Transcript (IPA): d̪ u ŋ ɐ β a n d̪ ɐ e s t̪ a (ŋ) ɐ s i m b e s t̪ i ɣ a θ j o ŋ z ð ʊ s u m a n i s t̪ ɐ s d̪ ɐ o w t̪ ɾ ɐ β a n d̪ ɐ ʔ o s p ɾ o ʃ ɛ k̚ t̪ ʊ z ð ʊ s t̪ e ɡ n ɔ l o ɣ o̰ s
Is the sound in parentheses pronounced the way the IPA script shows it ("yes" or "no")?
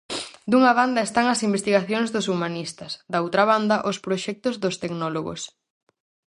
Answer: yes